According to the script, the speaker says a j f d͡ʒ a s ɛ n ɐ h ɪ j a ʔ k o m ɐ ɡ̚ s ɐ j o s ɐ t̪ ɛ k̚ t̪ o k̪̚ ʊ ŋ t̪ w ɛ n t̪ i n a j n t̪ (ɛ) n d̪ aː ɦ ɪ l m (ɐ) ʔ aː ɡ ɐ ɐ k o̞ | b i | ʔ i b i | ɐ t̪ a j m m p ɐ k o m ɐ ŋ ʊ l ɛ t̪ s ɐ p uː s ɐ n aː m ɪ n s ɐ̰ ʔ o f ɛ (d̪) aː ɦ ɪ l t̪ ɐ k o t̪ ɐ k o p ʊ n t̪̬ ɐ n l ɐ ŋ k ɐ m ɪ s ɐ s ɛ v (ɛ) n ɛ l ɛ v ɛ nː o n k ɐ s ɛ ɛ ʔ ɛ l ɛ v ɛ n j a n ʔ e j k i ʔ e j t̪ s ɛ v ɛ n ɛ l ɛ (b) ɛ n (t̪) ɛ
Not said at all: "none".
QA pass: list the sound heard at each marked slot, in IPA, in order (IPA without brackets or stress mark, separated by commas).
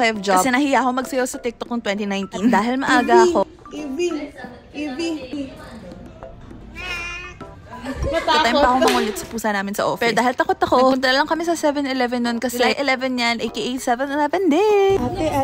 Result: i, ɐ, d̪, ɛ, v, d̪